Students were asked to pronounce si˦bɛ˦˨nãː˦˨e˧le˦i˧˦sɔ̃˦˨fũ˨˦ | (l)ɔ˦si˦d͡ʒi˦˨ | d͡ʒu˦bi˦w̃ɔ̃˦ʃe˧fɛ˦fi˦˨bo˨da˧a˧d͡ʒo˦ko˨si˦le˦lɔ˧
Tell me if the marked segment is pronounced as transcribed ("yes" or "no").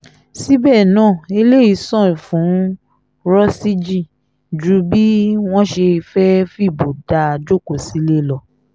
no